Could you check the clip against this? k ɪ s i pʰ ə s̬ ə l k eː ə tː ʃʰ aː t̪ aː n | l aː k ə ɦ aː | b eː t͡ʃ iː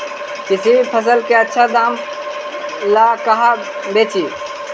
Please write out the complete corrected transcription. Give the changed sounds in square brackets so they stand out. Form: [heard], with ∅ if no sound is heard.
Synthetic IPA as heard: k ɪ s i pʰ ə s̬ ə l k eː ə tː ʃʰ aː [d̪] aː [m] | l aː k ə ɦ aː | b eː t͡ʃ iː